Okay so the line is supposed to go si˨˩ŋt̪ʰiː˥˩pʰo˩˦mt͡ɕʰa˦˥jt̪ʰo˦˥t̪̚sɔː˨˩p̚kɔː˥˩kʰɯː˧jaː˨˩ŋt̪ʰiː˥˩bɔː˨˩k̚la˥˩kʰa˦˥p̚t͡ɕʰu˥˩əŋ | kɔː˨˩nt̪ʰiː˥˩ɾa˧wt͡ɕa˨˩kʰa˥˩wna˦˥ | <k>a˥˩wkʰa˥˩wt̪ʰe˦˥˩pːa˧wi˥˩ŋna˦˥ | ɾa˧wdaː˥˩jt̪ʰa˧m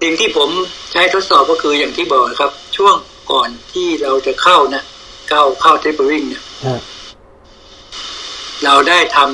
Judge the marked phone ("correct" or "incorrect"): correct